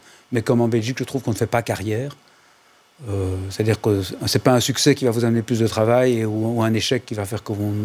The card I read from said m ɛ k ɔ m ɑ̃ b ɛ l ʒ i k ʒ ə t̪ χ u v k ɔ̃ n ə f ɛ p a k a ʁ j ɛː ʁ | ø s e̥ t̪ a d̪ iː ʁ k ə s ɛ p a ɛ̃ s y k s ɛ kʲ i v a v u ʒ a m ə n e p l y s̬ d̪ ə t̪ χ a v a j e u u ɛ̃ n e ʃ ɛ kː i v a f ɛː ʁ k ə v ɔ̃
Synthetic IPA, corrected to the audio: m ɛ k ɔ m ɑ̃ b ɛ l ʒ i k ʒ ə t̪ χ u v k ɔ̃ n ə f ɛ p a k a ʁ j ɛː ʁ | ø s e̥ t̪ a d̪ iː ʁ k ə s ɛ p a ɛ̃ s y k s ɛ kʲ i v a v u z a m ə n e p l y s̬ d̪ ə t̪ χ a v a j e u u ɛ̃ n e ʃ ɛ kː i v a f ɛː ʁ k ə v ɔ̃